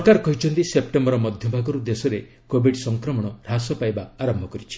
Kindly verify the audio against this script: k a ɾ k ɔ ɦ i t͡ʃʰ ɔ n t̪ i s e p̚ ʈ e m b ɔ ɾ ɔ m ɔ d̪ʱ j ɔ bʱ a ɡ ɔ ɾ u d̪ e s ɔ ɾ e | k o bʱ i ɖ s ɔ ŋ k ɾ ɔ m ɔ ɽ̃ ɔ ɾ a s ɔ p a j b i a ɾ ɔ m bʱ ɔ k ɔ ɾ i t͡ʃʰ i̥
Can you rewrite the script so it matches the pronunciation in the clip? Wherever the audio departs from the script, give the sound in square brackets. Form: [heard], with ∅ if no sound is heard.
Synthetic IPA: k a ɾ k ɔ ɦ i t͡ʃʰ ɔ n t̪ i s e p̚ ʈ e m b ɔ ɾ ɔ m ɔ d̪ʱ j ɔ bʱ a ɡ ɔ ɾ u d̪ e s ɔ ɾ e | k o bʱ i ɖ s ɔ ŋ k ɾ ɔ m ɔ ɽ̃ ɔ ɾ a s ɔ p a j b [a] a ɾ ɔ m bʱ ɔ k ɔ ɾ i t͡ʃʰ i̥

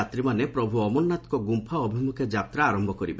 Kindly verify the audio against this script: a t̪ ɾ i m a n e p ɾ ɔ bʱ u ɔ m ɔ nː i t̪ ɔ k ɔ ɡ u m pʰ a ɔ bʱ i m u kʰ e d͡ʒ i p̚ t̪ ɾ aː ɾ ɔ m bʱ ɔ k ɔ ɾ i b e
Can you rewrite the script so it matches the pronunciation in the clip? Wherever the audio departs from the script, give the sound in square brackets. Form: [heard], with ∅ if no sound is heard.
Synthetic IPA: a t̪ ɾ i m a n e p ɾ ɔ bʱ u ɔ m ɔ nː [a] t̪ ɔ k ɔ ɡ u m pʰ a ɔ bʱ i m u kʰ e d͡ʒ [a] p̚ t̪ ɾ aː ɾ ɔ m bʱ ɔ k ɔ ɾ i b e

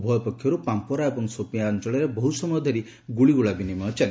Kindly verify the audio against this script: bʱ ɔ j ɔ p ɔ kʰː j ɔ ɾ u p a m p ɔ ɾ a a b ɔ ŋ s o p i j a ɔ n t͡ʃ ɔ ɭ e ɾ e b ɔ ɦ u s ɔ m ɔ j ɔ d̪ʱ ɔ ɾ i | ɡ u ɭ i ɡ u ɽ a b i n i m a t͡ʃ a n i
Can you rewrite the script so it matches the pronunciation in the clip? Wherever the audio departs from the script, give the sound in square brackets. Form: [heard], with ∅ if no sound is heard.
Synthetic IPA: bʱ ɔ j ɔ p ɔ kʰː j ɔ ɾ u p a m p ɔ ɾ a [e] b ɔ ŋ s o p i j a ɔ n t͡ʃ ɔ ɭ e ɾ e b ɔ ɦ u s ɔ m ɔ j ɔ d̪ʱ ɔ ɾ i | ɡ u ɭ i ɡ u [ɭ] a b i n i m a t͡ʃ a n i

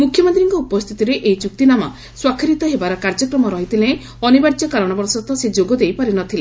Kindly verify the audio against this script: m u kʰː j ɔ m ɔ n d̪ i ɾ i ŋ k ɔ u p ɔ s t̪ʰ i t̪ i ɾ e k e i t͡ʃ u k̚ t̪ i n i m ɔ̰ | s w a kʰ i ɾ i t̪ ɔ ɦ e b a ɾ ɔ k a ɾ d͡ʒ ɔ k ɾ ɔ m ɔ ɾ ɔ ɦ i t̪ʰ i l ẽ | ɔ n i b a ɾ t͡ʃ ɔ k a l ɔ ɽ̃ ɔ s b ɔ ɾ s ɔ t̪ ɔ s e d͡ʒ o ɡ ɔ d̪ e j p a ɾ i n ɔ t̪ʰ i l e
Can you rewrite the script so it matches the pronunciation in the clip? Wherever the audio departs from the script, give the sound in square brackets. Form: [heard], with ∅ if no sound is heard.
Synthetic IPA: m u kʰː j ɔ m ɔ n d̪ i ɾ i ŋ k ɔ u p ɔ s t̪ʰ i t̪ i ɾ e [ʔ] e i t͡ʃ u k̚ t̪ i n [a] m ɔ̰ | s w a kʰ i ɾ i t̪ ɔ ɦ e b a ɾ ɔ k a ɾ d͡ʒ ɔ k ɾ ɔ m ɔ ɾ ɔ ɦ i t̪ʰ i l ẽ | ɔ n i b a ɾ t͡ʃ ɔ k a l ɔ ɽ̃ ɔ [∅] b ɔ ɾ s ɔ t̪ ɔ s e d͡ʒ o ɡ ɔ d̪ e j p a ɾ i n ɔ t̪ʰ i l e

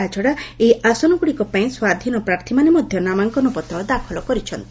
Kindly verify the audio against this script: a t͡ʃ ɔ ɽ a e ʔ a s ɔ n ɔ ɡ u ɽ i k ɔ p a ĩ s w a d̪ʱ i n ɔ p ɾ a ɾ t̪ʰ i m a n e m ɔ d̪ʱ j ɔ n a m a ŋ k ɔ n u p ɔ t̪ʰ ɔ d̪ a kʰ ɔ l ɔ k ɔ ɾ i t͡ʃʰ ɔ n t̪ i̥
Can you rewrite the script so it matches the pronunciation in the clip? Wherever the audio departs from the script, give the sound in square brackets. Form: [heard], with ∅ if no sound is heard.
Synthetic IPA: a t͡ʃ ɔ ɽ a e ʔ a s ɔ n ɔ ɡ u ɽ i k ɔ p a ĩ s w a d̪ʱ i n ɔ p ɾ a ɾ t̪ʰ i m a n e m ɔ d̪ʱ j ɔ n a m a ŋ k ɔ n u p ɔ [t̪] ɔ d̪ a kʰ ɔ l ɔ k ɔ ɾ i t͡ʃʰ ɔ n t̪ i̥

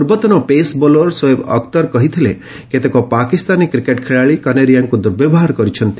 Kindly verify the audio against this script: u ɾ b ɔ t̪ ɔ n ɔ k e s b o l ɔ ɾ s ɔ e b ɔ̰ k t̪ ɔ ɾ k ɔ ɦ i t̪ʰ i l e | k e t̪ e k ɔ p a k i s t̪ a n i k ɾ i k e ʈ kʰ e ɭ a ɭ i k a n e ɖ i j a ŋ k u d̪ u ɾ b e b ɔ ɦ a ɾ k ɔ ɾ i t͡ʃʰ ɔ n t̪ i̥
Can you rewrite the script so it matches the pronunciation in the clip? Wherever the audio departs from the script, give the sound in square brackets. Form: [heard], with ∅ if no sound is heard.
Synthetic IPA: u ɾ b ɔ t̪ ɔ n ɔ [p] e s b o l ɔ ɾ s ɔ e b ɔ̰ k t̪ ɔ ɾ k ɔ ɦ i t̪ʰ i l e | k e t̪ e k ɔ p a k i s t̪ a n i k ɾ i k e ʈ kʰ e ɭ a ɭ i k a n e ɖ i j a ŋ k u d̪ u ɾ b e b ɔ ɦ a ɾ k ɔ ɾ i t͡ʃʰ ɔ n t̪ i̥

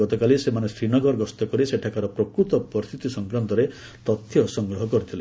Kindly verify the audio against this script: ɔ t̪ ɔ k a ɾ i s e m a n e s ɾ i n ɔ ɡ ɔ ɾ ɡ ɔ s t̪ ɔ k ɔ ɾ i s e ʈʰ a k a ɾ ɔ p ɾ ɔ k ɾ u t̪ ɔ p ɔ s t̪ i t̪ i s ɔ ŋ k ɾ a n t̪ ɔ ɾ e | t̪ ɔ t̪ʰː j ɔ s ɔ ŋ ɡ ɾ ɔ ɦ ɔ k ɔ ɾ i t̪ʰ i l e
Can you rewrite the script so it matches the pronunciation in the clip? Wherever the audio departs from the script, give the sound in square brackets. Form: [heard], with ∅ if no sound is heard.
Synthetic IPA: ɔ t̪ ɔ k a [l] i s e m a n e s ɾ i n ɔ ɡ ɔ ɾ ɡ ɔ s t̪ ɔ k ɔ ɾ i s e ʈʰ a k a ɾ ɔ p ɾ ɔ k ɾ u t̪ ɔ p ɔ s t̪ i t̪ i s ɔ ŋ k ɾ a n t̪ ɔ ɾ e | t̪ ɔ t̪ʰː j ɔ s ɔ ŋ ɡ ɾ ɔ ɦ ɔ k ɔ ɾ i t̪ʰ i l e

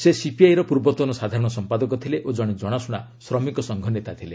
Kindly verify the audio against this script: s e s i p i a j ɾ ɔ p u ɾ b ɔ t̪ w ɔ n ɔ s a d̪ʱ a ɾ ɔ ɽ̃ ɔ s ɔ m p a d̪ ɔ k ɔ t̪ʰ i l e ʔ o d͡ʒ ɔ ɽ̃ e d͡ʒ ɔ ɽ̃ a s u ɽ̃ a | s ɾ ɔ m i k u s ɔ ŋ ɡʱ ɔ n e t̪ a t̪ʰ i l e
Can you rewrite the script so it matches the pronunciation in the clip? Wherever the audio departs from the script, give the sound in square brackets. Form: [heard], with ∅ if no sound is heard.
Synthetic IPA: s e s i p i a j ɾ ɔ p u ɾ b ɔ t̪ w ɔ n ɔ s a d̪ʱ a ɾ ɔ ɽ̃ ɔ s ɔ m p a d̪ ɔ k ɔ t̪ʰ i l e ʔ o d͡ʒ ɔ ɽ̃ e d͡ʒ ɔ ɽ̃ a s u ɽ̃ a | s ɾ ɔ m i k [ɔ] s ɔ ŋ ɡʱ ɔ n e t̪ a t̪ʰ i l e

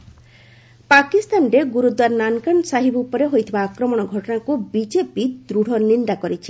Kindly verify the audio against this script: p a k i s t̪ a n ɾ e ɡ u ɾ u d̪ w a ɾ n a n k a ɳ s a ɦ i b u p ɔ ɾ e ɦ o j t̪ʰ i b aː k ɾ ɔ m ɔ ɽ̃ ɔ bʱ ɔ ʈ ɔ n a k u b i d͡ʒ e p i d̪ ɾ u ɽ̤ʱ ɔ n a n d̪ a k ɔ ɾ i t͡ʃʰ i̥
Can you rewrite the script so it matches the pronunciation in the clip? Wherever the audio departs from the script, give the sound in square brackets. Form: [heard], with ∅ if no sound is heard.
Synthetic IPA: p a k i s t̪ a n ɾ e ɡ u ɾ u d̪ w a ɾ n a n k a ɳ s a ɦ i b u p ɔ ɾ e ɦ o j t̪ʰ i b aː k ɾ ɔ m ɔ ɽ̃ ɔ [ɡʱ] ɔ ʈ ɔ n a k u b i d͡ʒ e p i d̪ ɾ u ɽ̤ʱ ɔ n [i] n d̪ a k ɔ ɾ i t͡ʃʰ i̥

